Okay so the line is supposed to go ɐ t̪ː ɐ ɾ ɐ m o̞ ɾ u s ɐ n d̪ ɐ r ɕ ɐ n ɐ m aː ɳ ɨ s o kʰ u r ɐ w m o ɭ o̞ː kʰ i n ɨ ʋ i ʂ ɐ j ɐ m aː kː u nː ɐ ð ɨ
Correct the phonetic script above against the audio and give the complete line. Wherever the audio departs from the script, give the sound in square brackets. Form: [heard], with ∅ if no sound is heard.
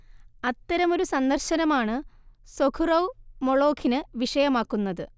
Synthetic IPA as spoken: ɐ t̪ː ɐ ɾ ɐ m o̞ ɾ u s ɐ n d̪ ɐ r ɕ ɐ n ɐ m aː ɳ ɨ s o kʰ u r ɐ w m o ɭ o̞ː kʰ i n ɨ ʋ i ʂ ɐ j ɐ m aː kː u nː ɐ ð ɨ